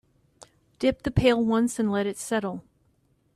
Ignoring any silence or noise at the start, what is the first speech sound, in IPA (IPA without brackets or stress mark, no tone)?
d̥